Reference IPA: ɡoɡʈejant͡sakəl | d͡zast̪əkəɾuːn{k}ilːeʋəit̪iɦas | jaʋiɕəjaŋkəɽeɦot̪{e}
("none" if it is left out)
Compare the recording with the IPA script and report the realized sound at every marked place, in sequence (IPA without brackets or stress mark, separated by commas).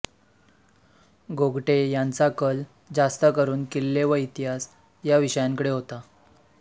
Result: k, a